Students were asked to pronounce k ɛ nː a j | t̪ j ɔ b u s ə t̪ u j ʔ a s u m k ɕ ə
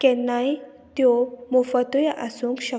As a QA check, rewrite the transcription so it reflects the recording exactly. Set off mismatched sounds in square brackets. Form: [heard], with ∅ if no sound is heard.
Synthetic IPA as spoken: k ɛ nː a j | t̪ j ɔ [m] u [f] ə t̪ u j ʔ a s u [ŋ] k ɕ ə